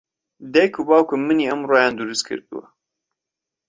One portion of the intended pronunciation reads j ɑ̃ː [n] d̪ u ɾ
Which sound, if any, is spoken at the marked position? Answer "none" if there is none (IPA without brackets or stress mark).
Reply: n